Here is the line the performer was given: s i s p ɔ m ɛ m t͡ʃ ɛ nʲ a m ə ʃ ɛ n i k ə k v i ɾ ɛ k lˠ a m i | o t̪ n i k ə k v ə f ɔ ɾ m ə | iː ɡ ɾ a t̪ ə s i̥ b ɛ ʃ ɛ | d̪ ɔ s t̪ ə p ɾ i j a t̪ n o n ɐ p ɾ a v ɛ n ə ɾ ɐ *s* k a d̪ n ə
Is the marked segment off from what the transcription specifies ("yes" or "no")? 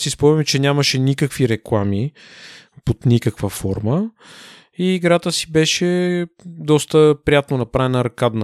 yes